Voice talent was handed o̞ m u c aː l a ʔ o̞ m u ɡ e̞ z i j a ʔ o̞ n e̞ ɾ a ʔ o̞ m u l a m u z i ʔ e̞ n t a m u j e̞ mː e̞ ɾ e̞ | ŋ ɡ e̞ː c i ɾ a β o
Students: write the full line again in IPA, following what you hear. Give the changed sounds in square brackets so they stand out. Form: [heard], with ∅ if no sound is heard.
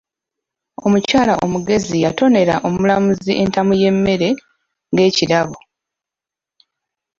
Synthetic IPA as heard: o̞ m u c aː l a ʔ o̞ m u ɡ e̞ z i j a [t] o̞ n e̞ ɾ a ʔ o̞ m u l a m u z i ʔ e̞ n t a m u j e̞ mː e̞ ɾ e̞ | ŋ ɡ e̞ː c i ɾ a β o